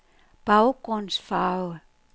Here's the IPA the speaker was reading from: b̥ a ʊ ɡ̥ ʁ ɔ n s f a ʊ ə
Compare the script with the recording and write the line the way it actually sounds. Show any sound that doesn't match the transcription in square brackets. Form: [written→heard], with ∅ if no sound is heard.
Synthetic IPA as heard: b̥ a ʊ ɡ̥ ʁ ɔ n s f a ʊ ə